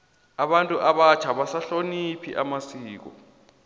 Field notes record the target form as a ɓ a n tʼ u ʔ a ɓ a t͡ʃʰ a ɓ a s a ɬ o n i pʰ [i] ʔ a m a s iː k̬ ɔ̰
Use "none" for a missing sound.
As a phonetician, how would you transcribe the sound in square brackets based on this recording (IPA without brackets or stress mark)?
i